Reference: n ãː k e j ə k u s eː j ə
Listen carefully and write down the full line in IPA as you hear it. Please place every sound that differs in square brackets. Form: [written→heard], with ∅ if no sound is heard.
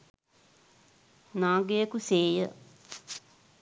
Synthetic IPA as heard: n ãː [k→ɡ] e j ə k u s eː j ə